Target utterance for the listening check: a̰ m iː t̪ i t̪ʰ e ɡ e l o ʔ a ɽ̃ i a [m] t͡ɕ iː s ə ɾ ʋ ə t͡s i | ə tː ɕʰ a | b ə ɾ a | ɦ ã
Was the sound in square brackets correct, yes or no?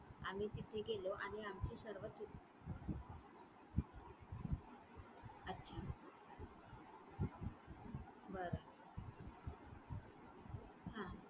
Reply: yes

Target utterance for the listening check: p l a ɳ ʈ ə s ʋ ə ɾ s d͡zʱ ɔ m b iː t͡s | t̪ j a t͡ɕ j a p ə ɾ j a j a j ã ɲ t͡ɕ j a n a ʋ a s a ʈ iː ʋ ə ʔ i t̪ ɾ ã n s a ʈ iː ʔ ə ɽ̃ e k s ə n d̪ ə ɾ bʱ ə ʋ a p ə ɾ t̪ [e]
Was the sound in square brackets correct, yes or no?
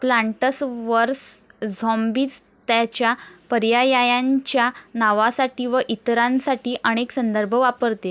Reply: yes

